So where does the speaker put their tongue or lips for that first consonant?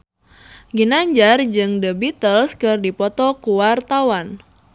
velum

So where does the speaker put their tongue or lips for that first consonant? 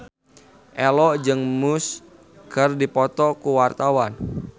throat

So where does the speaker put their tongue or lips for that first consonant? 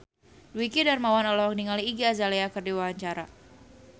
tongue tip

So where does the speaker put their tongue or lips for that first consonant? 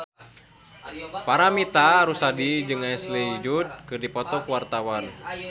lips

